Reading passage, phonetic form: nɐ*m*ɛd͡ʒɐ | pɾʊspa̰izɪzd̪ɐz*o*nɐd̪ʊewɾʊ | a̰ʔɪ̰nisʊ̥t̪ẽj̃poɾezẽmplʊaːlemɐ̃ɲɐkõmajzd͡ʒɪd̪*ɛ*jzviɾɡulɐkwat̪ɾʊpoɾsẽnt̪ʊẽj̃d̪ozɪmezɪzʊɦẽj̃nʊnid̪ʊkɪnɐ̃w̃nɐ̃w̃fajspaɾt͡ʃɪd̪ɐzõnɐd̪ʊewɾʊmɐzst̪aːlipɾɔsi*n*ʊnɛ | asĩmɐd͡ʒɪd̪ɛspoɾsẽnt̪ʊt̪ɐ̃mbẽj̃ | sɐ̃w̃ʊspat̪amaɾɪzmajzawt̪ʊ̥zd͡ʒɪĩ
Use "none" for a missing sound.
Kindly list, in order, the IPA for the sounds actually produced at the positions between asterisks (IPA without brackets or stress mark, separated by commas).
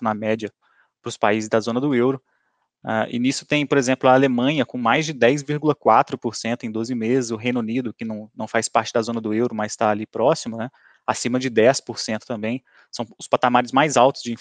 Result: m, õ, ɛ, m